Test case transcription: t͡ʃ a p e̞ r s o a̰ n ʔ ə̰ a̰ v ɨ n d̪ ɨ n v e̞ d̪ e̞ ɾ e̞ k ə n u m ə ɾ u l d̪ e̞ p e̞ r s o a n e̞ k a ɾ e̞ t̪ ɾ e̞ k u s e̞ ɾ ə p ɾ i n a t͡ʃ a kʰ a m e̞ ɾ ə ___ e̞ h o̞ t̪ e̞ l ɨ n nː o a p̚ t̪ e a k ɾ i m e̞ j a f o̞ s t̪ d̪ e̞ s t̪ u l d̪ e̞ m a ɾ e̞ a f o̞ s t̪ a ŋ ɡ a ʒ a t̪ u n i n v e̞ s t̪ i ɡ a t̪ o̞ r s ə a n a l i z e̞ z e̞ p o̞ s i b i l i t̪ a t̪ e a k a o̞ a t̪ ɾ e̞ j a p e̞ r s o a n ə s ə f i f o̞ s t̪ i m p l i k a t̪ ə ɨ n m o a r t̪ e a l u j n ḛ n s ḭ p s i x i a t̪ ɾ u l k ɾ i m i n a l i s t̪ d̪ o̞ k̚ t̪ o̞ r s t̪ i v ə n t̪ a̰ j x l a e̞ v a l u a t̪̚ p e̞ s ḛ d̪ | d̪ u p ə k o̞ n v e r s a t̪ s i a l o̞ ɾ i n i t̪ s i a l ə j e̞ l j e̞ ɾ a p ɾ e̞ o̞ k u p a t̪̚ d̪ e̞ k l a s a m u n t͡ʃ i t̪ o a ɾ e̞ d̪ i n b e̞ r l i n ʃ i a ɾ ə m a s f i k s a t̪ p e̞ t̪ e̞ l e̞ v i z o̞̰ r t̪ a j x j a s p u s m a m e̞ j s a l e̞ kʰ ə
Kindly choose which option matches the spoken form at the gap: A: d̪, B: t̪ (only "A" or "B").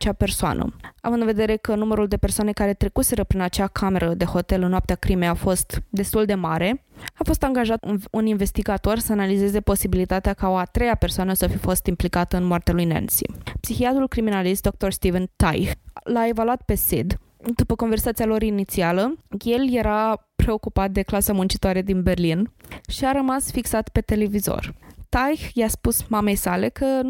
A